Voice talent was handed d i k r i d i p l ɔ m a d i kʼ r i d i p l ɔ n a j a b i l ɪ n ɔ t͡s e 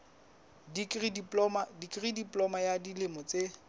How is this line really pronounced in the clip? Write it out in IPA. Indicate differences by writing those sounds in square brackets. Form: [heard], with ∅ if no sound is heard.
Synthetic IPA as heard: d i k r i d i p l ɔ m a d i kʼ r i d i p l ɔ [m] a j a [d] i l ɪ [m] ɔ t͡s e